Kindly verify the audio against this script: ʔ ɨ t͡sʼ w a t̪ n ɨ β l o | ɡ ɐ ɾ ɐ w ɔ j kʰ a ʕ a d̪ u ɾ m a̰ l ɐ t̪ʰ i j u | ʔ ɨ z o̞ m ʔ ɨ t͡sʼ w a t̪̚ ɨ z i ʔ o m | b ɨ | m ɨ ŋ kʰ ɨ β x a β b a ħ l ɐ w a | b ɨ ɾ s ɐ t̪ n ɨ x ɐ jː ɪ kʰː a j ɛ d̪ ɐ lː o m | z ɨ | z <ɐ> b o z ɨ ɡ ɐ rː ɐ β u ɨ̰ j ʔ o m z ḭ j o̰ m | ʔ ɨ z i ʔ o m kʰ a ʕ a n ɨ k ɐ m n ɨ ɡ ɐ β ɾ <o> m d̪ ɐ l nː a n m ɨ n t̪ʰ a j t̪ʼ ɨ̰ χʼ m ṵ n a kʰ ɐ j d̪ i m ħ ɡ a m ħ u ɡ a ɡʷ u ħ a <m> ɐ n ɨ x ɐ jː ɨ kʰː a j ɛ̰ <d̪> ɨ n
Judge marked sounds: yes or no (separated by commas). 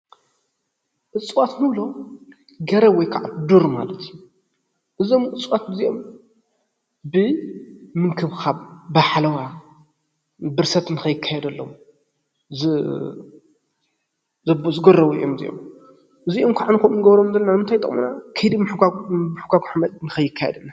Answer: yes, yes, yes, yes